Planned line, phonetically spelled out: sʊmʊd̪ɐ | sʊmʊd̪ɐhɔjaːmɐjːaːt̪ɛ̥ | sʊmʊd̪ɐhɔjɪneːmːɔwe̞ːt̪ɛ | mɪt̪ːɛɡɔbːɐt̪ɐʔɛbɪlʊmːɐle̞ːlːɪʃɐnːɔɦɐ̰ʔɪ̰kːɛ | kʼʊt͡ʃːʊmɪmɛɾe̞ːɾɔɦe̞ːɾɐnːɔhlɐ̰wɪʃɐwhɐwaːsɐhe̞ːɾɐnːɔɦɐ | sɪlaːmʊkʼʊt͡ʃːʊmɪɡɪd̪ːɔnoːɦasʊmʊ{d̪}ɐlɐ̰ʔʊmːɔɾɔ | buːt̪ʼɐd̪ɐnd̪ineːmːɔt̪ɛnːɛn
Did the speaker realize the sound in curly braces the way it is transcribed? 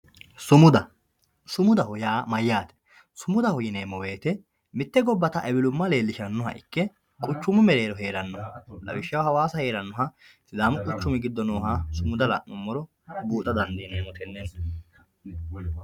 yes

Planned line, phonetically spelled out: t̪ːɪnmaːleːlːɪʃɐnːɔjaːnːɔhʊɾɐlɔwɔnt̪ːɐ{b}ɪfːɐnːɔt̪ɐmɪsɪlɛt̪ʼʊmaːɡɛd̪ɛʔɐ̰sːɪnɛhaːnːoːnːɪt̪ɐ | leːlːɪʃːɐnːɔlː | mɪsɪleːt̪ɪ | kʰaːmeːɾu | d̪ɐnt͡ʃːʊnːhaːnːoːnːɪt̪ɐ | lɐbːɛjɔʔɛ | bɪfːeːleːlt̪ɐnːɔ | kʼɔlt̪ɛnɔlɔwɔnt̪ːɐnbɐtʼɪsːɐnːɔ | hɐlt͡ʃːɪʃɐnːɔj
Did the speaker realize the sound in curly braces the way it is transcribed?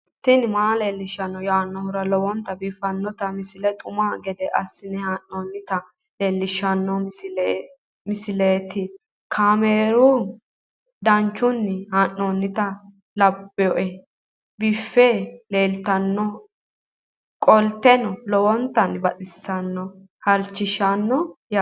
yes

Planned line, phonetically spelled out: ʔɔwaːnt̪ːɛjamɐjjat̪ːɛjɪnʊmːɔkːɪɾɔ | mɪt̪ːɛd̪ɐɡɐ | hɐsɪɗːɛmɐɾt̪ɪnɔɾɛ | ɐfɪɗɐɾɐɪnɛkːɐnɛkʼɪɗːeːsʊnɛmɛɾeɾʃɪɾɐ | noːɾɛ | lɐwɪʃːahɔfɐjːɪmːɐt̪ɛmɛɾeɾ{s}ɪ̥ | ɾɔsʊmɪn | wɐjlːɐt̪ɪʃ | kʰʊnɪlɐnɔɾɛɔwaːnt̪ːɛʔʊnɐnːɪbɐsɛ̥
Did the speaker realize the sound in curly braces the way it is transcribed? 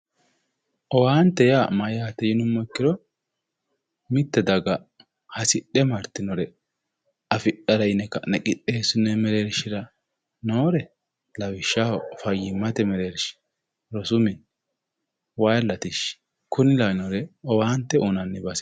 no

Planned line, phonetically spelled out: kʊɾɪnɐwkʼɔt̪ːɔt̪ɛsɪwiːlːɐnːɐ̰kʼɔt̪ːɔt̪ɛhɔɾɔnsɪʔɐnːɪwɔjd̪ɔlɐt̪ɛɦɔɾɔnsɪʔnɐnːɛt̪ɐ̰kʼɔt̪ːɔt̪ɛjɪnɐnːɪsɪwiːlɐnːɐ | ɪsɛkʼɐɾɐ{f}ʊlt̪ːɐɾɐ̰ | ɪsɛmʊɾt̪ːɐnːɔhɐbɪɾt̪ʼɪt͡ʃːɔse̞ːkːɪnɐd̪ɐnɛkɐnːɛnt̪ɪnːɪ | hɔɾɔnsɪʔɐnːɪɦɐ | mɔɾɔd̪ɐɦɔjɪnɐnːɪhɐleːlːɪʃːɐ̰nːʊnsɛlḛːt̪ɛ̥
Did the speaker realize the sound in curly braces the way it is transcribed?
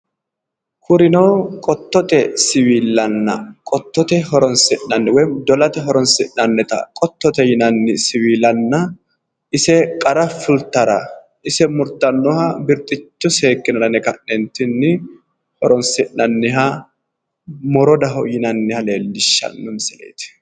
yes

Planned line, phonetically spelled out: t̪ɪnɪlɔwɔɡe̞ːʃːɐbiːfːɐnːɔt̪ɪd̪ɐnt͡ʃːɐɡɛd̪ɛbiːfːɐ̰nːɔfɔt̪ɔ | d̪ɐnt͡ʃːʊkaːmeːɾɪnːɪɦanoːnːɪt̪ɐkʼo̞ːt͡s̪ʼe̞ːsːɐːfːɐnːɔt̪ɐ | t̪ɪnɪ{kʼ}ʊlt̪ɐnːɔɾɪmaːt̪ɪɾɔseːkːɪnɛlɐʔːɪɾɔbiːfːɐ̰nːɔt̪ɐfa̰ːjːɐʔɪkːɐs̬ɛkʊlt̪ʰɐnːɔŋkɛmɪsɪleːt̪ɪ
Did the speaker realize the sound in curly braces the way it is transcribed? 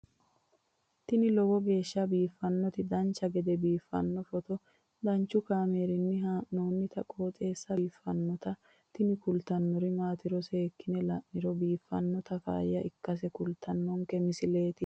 no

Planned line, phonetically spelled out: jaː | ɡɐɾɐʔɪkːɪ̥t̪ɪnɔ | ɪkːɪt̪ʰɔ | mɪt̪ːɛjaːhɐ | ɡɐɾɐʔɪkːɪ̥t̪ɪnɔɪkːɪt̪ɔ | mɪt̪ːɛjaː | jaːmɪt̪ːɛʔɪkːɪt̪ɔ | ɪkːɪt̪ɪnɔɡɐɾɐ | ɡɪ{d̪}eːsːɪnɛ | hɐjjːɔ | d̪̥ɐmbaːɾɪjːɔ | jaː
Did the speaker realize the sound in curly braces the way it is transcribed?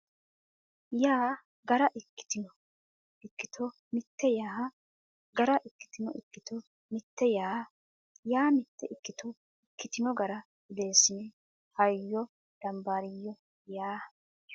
yes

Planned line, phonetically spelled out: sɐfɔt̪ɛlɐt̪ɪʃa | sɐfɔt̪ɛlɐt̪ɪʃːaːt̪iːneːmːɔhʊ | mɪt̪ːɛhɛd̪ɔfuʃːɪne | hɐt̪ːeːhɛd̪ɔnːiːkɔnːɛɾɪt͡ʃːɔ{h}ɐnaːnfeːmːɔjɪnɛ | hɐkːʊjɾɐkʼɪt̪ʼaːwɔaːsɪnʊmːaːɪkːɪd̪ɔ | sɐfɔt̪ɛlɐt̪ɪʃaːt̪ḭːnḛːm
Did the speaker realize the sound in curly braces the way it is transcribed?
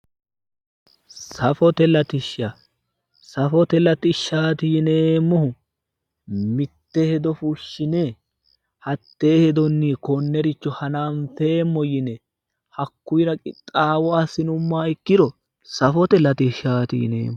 yes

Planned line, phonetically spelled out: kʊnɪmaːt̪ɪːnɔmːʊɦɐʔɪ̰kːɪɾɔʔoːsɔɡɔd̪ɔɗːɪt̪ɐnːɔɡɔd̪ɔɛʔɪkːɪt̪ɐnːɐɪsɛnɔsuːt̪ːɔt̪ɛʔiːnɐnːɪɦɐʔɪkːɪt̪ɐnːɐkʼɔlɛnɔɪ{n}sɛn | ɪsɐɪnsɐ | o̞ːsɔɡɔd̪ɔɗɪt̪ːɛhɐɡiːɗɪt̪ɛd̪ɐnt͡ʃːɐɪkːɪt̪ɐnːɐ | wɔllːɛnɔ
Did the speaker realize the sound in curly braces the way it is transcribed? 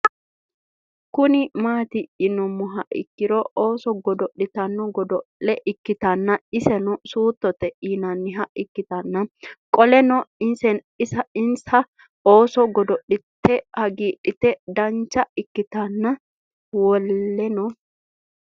yes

